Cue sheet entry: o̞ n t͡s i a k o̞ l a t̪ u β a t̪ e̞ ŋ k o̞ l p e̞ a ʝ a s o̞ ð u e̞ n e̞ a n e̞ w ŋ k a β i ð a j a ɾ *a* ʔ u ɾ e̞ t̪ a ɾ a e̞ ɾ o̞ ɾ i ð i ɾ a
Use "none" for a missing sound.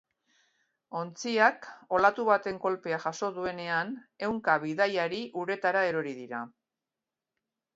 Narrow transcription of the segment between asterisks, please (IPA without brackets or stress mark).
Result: i